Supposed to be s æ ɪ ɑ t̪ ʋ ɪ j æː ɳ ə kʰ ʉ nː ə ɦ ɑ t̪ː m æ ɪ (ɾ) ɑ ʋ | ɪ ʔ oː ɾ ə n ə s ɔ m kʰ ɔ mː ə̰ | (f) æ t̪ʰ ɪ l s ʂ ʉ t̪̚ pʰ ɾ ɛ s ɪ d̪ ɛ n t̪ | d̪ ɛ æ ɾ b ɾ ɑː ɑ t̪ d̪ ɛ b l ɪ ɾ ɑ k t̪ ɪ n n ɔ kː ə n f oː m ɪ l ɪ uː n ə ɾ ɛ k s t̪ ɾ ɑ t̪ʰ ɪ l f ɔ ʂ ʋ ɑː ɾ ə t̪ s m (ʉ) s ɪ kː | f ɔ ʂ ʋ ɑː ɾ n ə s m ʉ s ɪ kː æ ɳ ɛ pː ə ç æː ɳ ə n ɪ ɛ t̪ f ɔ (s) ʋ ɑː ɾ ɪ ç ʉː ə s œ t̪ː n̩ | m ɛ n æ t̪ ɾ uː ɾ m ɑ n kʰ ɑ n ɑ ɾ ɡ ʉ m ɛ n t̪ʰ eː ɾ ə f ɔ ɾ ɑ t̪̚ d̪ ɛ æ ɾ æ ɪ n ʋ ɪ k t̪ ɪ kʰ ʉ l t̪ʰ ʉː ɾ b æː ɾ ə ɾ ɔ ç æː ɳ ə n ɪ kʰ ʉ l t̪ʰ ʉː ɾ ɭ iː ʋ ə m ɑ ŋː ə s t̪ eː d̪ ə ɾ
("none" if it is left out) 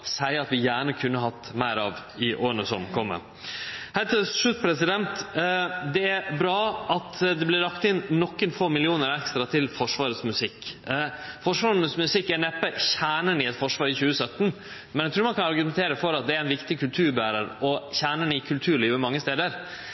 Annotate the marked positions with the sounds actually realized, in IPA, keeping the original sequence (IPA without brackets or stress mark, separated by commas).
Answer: ɾ, h, ʉ, ʂ